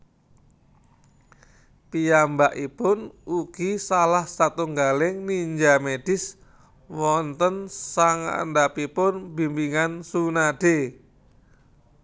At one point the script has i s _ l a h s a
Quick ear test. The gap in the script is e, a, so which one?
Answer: a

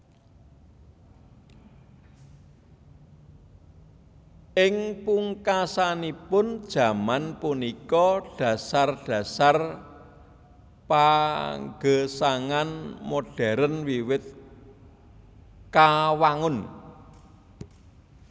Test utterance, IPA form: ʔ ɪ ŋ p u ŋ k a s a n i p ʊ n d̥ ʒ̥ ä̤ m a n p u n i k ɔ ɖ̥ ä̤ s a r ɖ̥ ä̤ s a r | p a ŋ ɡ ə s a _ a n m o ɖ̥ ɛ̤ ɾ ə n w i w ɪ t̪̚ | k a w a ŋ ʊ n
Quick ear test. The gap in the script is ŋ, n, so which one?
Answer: ŋ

